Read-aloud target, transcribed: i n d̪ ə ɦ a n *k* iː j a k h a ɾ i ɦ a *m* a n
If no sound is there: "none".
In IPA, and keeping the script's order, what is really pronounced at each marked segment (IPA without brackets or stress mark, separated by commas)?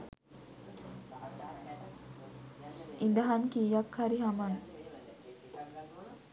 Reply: k, m